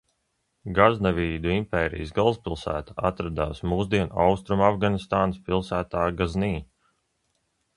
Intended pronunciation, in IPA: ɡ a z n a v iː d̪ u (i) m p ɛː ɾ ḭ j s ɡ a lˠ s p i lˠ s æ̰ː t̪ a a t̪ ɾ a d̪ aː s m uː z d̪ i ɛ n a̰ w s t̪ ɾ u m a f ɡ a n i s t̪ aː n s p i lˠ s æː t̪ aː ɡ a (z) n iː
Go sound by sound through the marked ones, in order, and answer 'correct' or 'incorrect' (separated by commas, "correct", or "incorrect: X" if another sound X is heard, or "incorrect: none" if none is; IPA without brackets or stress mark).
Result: correct, correct